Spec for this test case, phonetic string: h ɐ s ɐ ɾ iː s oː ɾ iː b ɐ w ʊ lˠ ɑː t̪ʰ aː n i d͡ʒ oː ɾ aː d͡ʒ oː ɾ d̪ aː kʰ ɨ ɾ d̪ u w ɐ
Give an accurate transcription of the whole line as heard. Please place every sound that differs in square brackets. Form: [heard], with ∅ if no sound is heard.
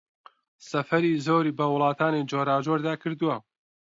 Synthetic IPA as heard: [s] ɐ [f] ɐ ɾ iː [z] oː ɾ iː b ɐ w ʊ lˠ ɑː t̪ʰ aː n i d͡ʒ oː ɾ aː d͡ʒ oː ɾ d̪ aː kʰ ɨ ɾ d̪ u w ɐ